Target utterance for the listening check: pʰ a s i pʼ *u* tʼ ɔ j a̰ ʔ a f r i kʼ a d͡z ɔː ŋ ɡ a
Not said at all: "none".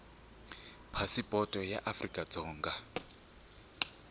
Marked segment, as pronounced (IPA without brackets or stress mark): ɔ